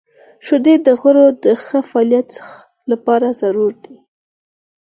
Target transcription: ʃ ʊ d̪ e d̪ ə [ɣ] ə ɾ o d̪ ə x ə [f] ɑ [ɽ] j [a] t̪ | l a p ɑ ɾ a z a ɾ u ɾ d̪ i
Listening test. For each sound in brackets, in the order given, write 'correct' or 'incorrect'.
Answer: correct, correct, incorrect: l, correct

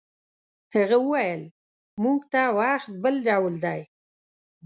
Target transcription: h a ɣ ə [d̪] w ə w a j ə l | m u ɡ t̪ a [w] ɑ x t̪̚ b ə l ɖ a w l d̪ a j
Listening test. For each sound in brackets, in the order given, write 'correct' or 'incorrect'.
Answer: incorrect: none, correct

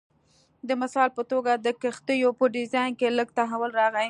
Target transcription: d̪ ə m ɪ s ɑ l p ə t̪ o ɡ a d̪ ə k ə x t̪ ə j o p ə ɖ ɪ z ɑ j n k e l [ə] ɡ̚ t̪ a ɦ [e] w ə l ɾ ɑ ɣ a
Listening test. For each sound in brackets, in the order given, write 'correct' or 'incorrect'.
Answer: correct, incorrect: a

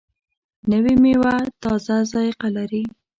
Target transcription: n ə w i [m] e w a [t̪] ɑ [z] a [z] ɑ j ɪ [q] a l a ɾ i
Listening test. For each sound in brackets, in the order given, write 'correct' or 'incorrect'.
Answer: correct, correct, correct, correct, correct

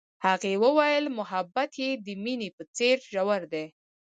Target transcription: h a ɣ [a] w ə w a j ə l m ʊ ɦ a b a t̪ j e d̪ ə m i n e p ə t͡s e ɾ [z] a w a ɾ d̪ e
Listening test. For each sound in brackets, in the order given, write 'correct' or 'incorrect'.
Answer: incorrect: e, incorrect: ʒ

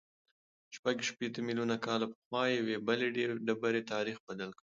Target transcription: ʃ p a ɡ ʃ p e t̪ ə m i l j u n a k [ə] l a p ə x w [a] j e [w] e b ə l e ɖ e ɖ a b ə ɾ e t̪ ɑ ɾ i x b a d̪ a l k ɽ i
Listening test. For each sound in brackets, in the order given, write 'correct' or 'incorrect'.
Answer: incorrect: ɑ, incorrect: ɑ, correct

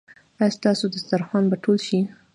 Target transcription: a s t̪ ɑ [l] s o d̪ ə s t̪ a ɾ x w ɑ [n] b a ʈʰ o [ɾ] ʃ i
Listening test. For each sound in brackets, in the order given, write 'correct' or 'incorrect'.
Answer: incorrect: none, correct, incorrect: l

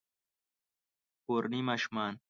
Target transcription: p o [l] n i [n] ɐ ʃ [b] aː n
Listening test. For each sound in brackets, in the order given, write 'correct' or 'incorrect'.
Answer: incorrect: ɾ, incorrect: m, incorrect: m

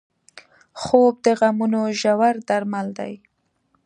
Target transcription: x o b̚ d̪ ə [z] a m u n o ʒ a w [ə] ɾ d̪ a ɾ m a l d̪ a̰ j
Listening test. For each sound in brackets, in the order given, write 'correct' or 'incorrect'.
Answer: incorrect: ɣ, incorrect: a

